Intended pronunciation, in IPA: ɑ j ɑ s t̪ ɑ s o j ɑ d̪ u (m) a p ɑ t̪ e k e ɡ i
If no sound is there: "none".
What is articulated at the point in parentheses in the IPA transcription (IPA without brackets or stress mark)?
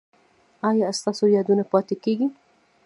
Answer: n